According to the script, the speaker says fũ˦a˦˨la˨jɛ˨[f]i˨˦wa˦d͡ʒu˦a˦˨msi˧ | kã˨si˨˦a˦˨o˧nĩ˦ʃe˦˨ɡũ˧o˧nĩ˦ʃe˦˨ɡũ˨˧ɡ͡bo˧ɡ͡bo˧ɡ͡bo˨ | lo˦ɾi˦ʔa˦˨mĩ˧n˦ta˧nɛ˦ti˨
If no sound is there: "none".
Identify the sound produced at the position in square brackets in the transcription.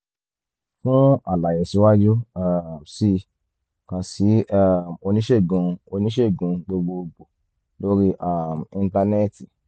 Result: s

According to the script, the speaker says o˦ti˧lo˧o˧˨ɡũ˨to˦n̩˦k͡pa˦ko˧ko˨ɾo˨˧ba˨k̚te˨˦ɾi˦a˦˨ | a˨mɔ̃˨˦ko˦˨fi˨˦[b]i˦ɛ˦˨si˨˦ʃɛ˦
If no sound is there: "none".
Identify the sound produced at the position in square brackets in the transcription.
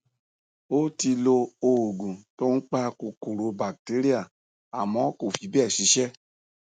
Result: b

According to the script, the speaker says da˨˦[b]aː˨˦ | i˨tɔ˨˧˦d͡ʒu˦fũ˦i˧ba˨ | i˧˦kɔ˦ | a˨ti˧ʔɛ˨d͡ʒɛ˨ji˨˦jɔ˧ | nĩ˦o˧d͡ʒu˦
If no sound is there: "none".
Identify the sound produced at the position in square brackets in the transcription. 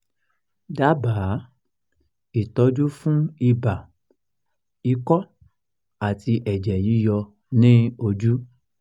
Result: b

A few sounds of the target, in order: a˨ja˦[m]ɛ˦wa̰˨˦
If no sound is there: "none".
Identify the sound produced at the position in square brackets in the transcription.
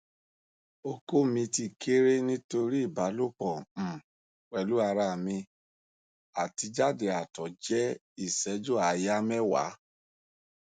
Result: m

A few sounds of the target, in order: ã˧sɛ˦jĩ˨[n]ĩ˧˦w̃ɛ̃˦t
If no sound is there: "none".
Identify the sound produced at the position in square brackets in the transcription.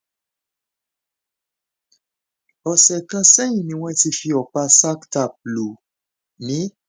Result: n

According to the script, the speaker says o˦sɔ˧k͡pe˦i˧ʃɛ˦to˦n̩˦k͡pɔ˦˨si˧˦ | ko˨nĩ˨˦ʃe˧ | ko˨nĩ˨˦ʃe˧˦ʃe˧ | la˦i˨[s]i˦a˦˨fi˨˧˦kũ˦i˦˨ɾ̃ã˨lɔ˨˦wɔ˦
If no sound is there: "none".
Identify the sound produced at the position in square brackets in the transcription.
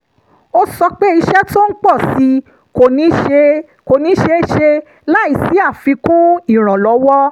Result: s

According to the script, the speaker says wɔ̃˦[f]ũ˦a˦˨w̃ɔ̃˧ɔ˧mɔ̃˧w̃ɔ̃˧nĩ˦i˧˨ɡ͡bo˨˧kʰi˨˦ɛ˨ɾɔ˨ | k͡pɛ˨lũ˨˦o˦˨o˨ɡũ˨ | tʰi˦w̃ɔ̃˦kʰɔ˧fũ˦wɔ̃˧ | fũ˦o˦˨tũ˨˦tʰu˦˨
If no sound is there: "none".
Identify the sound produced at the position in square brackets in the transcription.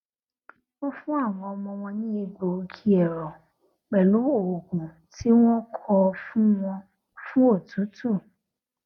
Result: f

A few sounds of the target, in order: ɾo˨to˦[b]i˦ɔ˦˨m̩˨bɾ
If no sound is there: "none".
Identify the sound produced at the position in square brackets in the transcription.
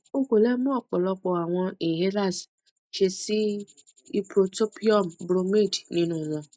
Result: p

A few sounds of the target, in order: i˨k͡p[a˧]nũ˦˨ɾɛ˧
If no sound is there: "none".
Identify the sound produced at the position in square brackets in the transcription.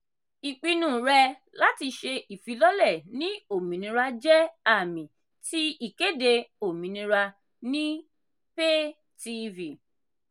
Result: i˧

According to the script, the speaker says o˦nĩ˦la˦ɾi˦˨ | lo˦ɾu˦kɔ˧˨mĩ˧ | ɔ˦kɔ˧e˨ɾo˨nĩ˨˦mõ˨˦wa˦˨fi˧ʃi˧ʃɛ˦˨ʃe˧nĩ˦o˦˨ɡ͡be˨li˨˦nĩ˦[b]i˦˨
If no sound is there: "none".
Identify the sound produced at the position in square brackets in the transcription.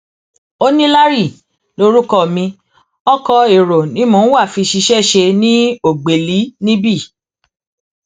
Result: b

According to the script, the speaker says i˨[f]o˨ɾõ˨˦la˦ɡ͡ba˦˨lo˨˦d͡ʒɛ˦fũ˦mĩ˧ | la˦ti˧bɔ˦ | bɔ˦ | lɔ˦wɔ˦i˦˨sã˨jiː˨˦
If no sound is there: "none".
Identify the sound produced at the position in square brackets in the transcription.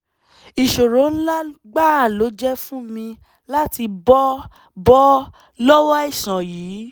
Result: ʃ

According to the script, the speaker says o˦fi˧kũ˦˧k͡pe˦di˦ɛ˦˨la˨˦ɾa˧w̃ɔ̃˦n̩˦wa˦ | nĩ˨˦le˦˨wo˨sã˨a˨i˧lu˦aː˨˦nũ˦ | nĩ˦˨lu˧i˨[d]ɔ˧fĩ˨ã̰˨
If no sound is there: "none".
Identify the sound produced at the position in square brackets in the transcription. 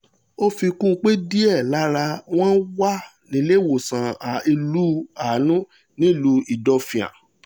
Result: d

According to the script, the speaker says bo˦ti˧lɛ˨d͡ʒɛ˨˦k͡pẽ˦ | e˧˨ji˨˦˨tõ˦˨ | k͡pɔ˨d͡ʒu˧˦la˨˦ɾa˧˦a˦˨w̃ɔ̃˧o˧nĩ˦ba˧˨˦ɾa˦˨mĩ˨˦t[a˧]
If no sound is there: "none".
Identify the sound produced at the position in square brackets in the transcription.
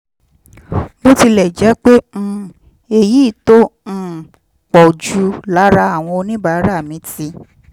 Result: i˧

